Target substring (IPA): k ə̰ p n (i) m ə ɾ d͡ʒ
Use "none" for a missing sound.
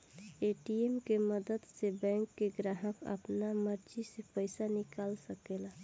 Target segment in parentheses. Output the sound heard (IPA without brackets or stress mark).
a